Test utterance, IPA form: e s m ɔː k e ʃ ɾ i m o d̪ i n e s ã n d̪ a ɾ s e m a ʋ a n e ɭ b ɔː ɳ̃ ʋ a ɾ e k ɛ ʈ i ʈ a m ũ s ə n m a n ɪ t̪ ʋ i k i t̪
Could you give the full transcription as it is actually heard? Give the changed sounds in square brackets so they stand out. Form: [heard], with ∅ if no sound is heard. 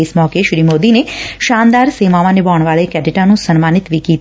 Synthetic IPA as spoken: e s m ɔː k e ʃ ɾ i m o d̪ i n e [ʃ] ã n d̪ a ɾ s e m a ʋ a n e [∅] b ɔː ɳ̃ ʋ a [ɭ] e k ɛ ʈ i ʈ a [n] ũ s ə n m a n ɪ t̪ ʋ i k i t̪

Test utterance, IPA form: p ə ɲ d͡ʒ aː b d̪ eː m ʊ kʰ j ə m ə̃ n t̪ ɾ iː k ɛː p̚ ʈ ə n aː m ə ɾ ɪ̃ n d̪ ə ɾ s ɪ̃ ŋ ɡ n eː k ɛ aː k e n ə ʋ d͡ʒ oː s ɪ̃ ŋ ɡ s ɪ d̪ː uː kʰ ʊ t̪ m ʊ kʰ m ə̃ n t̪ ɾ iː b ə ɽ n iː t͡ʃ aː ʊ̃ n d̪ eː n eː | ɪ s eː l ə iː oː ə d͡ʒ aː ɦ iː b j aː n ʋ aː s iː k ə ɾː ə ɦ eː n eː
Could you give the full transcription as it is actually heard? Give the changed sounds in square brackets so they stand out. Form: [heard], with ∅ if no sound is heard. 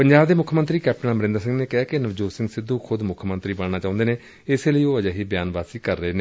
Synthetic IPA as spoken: p ə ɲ d͡ʒ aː b d̪ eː m ʊ kʰ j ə m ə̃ n t̪ ɾ iː k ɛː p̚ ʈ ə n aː m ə ɾ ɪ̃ n d̪ ə ɾ s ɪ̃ ŋ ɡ n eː k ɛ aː k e n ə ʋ d͡ʒ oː s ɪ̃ ŋ ɡ s ɪ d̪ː uː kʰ ʊ [d̪] m ʊ kʰ m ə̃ n t̪ ɾ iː b ə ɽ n [aː] t͡ʃ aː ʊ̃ n d̪ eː n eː | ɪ s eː l ə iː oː ə d͡ʒ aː ɦ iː b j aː n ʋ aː s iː k ə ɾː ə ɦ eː n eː

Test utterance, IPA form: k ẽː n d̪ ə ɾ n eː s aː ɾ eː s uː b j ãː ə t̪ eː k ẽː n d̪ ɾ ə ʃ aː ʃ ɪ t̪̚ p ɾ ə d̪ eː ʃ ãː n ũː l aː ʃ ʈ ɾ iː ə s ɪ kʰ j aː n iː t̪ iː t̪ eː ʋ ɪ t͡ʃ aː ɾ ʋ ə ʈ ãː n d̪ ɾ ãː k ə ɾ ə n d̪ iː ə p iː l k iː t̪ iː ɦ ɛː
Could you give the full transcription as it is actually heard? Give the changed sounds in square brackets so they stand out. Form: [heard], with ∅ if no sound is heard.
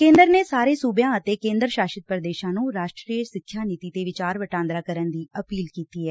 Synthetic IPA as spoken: k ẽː n d̪ ə ɾ n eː s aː ɾ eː s uː b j ãː ə t̪ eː k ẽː n d̪ ɾ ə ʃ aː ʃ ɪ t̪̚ p ɾ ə d̪ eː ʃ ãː n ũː [ɾ] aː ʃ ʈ ɾ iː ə s ɪ kʰ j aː n iː t̪ iː t̪ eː ʋ ɪ t͡ʃ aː ɾ ʋ ə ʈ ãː n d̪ ɾ [aː] k ə ɾ ə n d̪ iː ə p iː l k iː t̪ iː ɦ ɛː

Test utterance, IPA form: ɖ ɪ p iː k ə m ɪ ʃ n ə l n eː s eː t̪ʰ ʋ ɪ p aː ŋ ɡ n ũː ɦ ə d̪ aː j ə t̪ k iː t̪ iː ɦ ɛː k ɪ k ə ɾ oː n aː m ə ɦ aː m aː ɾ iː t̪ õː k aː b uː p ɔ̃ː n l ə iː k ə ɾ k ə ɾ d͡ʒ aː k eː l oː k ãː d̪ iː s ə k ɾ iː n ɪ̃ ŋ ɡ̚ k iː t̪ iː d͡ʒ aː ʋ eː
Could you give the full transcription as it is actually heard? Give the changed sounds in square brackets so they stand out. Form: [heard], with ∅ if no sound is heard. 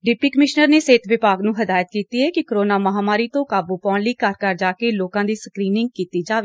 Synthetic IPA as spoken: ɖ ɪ p iː k ə m ɪ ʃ n ə [ɾ] n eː s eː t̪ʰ ʋ ɪ p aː [∅] ɡ n ũː ɦ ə d̪ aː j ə t̪ k iː t̪ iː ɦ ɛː k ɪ k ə ɾ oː n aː m ə ɦ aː m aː ɾ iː t̪ õː k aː b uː p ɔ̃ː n l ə iː k ə ɾ k ə ɾ d͡ʒ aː k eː l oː k ãː d̪ iː s ə k ɾ iː n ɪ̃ ŋ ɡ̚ k iː t̪ iː d͡ʒ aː ʋ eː

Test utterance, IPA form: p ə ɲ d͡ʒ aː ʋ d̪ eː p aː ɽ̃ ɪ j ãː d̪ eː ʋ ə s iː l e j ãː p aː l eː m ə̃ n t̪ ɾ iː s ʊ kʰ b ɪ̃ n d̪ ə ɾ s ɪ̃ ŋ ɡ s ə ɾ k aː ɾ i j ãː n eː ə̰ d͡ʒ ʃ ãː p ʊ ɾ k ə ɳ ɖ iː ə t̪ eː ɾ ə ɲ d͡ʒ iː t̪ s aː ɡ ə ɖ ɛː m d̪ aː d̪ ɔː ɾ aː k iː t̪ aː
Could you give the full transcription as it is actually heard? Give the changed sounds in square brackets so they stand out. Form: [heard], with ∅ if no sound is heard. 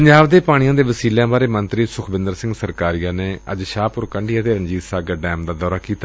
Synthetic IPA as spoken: p ə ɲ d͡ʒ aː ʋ d̪ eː p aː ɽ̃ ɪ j ãː d̪ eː ʋ ə s iː l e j ãː [b] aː [ɾ] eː m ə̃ n t̪ ɾ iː s ʊ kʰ b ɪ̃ n d̪ ə ɾ s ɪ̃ ŋ ɡ s ə ɾ k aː ɾ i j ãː n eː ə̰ d͡ʒ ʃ [aː] p ʊ ɾ k ə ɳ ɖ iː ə t̪ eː ɾ ə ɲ d͡ʒ iː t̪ s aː ɡ ə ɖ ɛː m d̪ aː d̪ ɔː ɾ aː k iː t̪ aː

